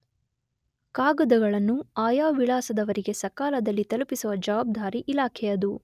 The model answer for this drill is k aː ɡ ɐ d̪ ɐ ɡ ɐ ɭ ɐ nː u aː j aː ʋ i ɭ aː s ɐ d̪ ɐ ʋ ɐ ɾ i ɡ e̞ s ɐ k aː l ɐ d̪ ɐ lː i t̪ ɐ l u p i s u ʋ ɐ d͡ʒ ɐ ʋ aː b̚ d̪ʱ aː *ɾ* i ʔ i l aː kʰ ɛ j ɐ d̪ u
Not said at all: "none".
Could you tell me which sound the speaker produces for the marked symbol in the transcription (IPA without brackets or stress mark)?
ɾ